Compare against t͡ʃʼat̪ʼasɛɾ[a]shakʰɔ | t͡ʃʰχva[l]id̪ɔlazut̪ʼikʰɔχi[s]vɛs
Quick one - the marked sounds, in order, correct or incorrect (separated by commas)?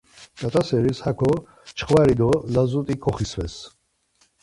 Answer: incorrect, incorrect, correct